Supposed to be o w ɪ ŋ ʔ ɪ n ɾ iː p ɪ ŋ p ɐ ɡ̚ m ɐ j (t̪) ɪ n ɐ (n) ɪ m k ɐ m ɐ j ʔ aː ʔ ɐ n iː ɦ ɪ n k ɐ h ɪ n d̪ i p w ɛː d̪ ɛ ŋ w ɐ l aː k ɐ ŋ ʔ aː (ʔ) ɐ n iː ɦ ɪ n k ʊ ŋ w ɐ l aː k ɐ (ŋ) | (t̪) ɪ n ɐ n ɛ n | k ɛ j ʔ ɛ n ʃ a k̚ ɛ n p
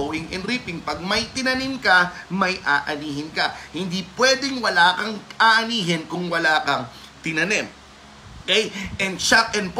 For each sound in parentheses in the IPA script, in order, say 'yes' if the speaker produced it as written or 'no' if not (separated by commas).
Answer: yes, yes, yes, yes, yes